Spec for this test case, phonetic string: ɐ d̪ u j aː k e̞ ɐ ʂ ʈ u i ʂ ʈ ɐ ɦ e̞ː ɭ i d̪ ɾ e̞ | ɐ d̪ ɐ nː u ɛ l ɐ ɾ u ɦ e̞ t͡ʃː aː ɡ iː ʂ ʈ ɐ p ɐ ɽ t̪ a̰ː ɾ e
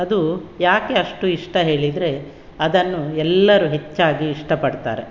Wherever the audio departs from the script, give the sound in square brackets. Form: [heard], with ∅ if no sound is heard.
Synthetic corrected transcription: ɐ d̪ u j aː k e̞ ɐ ʂ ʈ u i ʂ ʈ ɐ ɦ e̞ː ɭ i d̪ ɾ e̞ | ɐ d̪ ɐ nː u ɛ [lː] ɐ ɾ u ɦ e̞ t͡ʃː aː ɡ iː ʂ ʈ ɐ p ɐ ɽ t̪ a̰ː ɾ e